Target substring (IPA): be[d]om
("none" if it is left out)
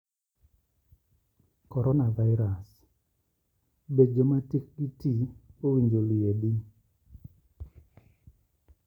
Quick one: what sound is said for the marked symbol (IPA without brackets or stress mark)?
d͡ʒ